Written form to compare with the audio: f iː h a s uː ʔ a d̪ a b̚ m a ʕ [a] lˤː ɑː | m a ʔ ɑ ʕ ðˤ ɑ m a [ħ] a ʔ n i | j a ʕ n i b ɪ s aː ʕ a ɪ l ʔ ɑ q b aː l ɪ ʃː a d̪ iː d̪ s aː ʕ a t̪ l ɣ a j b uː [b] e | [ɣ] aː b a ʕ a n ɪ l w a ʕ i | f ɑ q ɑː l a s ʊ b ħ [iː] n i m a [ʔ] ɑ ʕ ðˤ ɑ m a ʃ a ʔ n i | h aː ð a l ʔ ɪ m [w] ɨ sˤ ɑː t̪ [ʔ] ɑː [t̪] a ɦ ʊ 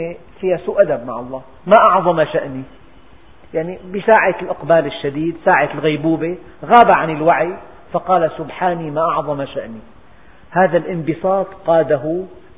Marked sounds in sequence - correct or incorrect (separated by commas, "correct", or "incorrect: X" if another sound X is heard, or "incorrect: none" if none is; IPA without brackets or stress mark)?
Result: incorrect: ɑ, incorrect: ʃ, correct, correct, incorrect: aː, correct, incorrect: b, incorrect: q, incorrect: d̪